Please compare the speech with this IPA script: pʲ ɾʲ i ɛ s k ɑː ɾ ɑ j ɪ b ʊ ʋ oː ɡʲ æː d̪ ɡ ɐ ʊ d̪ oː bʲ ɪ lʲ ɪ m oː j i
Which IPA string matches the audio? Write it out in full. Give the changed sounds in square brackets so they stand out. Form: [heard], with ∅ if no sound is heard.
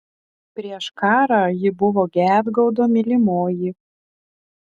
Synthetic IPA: pʲ ɾʲ i ɛ [ʃ] k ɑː ɾ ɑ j ɪ b ʊ ʋ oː ɡʲ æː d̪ ɡ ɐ ʊ d̪ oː [mʲ] ɪ lʲ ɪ m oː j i